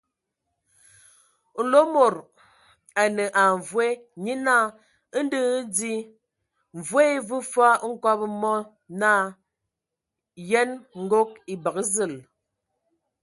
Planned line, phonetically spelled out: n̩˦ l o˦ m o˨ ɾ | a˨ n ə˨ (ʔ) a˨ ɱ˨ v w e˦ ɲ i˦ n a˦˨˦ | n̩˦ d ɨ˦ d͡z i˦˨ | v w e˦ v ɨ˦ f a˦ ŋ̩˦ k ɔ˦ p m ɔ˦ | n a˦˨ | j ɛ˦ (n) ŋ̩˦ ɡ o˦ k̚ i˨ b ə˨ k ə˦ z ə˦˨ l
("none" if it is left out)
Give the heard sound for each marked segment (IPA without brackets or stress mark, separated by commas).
ʔ, n